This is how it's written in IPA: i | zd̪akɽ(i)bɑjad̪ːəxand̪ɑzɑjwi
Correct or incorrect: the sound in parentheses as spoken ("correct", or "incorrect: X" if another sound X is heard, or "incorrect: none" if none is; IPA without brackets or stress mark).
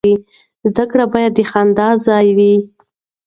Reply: incorrect: a